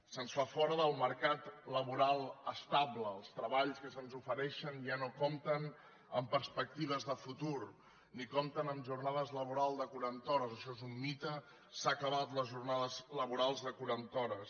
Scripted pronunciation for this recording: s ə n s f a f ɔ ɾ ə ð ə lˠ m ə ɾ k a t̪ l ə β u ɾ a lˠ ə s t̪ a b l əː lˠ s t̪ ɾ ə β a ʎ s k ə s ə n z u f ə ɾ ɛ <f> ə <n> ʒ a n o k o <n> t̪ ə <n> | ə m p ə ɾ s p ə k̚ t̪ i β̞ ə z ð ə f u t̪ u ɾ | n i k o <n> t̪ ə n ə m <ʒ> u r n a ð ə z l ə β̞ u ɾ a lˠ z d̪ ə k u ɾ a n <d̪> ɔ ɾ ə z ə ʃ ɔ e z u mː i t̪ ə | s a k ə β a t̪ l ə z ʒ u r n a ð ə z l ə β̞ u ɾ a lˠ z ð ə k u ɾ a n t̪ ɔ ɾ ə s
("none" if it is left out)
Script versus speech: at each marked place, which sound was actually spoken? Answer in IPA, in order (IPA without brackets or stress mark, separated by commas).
ʃ, n, m, n, m, ʒ, t̪